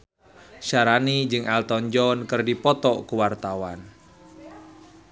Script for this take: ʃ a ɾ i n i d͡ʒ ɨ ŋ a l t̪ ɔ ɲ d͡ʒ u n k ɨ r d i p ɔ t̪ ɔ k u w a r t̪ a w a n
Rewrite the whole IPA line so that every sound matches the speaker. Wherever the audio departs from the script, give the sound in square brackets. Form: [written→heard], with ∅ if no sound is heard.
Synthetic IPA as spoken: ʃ a ɾ [i→a] n i d͡ʒ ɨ ŋ a l t̪ ɔ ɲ d͡ʒ [u→ɔ] n k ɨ r d i p ɔ t̪ ɔ k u w a r t̪ a w a n